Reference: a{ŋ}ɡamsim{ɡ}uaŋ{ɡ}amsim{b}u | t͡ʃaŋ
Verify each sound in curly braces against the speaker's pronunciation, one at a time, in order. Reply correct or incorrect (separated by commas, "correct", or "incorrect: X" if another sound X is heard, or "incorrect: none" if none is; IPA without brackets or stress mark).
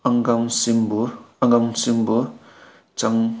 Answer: correct, incorrect: b, correct, correct